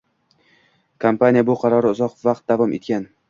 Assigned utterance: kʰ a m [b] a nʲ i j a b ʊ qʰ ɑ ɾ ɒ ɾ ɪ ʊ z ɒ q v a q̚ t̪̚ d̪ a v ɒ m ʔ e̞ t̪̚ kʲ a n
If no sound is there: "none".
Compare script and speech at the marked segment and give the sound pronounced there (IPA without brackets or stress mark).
p